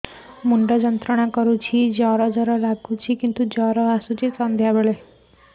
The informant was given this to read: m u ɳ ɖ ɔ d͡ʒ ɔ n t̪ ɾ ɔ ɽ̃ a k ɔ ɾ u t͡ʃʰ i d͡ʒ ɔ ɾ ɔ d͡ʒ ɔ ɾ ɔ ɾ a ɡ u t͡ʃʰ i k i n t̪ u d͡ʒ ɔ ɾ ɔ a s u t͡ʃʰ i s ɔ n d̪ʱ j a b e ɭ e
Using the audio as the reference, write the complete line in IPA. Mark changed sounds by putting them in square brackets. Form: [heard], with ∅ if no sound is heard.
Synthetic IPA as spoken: m u ɳ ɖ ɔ d͡ʒ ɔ n t̪ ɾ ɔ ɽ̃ a k ɔ ɾ u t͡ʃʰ i d͡ʒ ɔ ɾ ɔ d͡ʒ ɔ ɾ ɔ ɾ a ɡ u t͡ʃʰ i k i n t̪ u d͡ʒ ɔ ɾ ɔ a s u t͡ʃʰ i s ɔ n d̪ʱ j a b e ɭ e

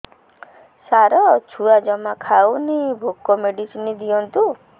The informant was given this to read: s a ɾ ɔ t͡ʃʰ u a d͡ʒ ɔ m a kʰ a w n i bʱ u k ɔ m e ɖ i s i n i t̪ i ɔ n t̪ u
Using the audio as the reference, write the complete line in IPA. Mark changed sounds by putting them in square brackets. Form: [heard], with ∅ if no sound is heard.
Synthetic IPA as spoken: s a ɾ ɔ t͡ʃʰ u a d͡ʒ ɔ m a kʰ a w n i bʱ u k ɔ m e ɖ i s i n i [d̪] i ɔ n t̪ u

